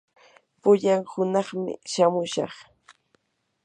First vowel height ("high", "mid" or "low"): high